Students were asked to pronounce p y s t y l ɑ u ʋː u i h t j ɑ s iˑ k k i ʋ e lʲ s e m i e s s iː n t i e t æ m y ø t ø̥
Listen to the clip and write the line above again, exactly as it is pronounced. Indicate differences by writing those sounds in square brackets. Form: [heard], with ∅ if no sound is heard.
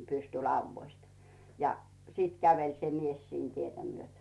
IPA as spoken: p y s t y l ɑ u ʋː [o] i [s] t j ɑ s iˑ [t] k [æ] ʋ e lʲ s e m i e s s iː n t i e t æ m y ø t ø̥